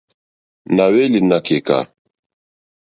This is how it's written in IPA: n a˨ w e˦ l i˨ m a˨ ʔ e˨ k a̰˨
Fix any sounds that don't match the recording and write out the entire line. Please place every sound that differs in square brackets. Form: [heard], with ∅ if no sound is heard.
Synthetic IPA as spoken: n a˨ w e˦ l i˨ [n] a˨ [k] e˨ k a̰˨